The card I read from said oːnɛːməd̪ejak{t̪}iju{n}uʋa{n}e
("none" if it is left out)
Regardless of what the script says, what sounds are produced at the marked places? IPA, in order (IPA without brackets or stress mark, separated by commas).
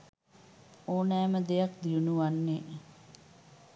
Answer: d̪, n, nː